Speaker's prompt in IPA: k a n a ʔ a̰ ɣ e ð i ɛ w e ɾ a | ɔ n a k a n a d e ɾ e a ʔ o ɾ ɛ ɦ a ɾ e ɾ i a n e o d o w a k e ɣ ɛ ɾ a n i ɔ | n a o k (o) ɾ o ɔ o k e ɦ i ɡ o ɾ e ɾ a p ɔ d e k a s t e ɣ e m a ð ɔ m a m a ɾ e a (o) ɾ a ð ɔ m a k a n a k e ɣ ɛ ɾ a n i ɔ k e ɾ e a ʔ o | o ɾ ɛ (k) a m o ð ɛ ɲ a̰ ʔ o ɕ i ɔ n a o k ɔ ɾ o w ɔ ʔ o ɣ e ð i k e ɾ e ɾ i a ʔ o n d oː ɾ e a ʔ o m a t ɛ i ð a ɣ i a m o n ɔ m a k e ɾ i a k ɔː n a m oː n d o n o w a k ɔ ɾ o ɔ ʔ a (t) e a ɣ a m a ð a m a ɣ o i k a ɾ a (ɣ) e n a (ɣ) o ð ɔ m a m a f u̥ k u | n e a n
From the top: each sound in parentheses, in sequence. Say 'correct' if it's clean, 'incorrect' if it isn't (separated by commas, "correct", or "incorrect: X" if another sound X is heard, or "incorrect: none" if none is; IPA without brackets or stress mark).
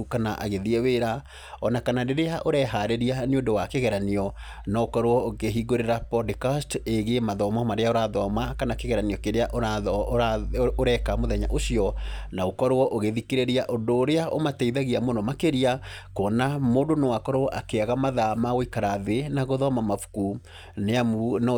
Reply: incorrect: ɔ, correct, correct, incorrect: k, incorrect: ð, correct